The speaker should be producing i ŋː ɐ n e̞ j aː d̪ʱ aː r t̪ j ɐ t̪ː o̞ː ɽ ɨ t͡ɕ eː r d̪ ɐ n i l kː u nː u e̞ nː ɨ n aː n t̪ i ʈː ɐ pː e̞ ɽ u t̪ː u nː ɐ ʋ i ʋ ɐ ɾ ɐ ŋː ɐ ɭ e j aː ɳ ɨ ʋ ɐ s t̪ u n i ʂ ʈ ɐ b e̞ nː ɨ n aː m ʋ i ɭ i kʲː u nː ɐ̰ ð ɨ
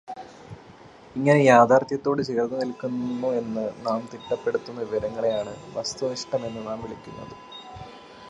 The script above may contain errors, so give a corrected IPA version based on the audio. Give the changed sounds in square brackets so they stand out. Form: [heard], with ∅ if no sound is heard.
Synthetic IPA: i ŋː ɐ n e̞ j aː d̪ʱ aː r t̪ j ɐ t̪ː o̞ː ɽ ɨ t͡ɕ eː r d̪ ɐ n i l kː u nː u e̞ nː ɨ n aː [m] t̪ i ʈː ɐ pː e̞ ɽ u t̪ː u nː ɐ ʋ i ʋ ɐ ɾ ɐ ŋː ɐ ɭ e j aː ɳ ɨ ʋ ɐ s t̪ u n i ʂ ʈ ɐ [m] e̞ nː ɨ n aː m ʋ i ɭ i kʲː u nː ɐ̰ ð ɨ